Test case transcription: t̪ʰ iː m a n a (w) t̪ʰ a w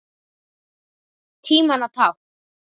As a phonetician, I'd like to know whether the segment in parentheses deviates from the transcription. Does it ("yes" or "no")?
yes